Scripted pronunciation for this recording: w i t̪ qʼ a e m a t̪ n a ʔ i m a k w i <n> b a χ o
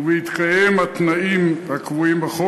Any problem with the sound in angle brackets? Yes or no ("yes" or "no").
yes